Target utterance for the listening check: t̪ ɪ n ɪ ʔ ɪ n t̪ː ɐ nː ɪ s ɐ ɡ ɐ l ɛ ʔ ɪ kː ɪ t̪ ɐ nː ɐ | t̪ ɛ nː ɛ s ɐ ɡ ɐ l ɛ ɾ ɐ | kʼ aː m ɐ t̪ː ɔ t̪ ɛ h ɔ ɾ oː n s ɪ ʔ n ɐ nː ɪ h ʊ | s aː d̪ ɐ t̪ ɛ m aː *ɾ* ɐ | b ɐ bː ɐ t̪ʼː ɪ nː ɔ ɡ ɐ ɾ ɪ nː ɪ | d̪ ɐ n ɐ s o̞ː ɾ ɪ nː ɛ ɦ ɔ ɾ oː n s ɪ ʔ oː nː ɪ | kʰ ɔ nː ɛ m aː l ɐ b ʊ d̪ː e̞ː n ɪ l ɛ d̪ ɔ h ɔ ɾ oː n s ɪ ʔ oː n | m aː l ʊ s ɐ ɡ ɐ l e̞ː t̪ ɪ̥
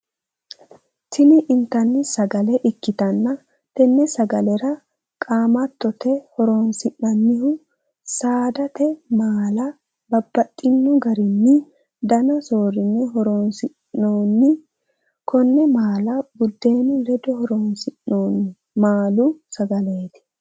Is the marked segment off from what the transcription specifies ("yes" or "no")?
yes